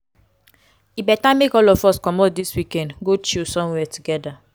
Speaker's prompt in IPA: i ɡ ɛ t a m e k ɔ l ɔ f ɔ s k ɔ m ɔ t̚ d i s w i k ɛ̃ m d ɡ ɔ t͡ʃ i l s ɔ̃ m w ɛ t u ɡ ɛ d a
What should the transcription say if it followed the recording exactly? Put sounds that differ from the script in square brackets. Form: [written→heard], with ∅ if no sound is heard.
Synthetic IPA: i [ɡ→b] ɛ t a m e k ɔ l ɔ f ɔ s k ɔ m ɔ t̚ d i s w i k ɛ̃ [m→n] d ɡ [ɔ→o] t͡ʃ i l s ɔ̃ m w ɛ t u ɡ ɛ d a